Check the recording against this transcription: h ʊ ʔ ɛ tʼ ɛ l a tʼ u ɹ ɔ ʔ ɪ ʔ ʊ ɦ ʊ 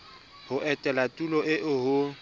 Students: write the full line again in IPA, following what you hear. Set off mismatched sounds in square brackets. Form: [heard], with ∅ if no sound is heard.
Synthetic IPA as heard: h ʊ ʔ ɛ tʼ ɛ l a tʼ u [l] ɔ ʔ ɪ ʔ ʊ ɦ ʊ